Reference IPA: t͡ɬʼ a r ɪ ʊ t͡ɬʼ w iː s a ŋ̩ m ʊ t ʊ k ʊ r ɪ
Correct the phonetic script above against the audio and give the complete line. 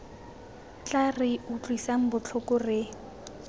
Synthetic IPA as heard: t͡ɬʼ a r ɪ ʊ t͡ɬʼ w i s a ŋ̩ b ʊ t͡ɬʰ ʊ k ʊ r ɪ